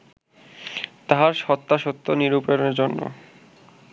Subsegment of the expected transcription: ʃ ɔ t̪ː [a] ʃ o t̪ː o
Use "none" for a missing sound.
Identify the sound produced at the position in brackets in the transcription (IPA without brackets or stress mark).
a